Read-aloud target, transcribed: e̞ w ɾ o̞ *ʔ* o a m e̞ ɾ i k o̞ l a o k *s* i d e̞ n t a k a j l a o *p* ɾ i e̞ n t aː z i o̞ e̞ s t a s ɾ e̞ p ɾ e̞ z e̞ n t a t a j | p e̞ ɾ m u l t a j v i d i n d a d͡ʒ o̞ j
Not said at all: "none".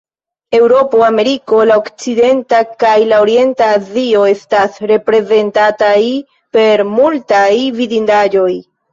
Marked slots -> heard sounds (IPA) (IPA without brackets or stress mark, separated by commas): p, t͡s, none